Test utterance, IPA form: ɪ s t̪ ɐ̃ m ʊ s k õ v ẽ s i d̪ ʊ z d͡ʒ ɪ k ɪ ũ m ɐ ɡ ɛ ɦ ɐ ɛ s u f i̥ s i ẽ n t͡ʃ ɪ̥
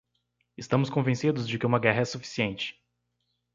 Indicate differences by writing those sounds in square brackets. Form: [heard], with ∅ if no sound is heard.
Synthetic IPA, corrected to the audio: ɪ s t̪ ɐ̃ m ʊ s k õ v ẽ s i d̪ ʊ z d͡ʒ ɪ k ɪ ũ m ɐ ɡ ɛ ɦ ɐ ɛ s u f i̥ s i ẽ n t͡ʃ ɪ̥